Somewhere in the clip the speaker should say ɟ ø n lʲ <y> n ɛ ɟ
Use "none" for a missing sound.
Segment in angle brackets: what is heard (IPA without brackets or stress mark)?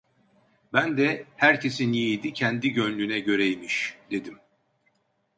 y